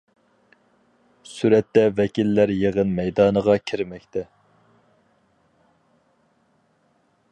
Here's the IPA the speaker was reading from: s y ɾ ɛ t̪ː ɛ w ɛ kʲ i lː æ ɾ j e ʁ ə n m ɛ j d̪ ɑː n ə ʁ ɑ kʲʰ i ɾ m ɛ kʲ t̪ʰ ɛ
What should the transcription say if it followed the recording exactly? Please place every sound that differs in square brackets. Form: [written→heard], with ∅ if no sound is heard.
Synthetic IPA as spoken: s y ɾ ɛ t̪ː ɛ [w→v] ɛ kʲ i lː æ ɾ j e ʁ ə n m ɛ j d̪ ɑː n ə ʁ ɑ kʲʰ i ɾ m ɛ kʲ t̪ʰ ɛ